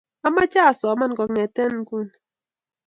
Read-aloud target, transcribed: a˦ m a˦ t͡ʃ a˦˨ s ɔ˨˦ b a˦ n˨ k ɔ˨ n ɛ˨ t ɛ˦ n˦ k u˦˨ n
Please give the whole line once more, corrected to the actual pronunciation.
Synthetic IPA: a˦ m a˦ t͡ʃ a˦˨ s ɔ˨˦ m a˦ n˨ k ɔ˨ ŋ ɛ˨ t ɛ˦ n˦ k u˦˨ n